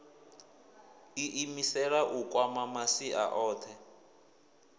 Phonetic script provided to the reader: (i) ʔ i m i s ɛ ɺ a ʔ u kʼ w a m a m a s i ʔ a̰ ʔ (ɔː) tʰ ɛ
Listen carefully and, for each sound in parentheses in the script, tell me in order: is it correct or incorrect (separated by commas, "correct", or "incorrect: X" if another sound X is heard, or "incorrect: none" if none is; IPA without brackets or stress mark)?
correct, correct